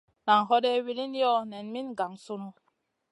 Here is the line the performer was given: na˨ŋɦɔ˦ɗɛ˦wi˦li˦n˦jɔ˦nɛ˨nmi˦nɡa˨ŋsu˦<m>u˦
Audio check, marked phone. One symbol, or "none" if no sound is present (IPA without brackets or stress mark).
n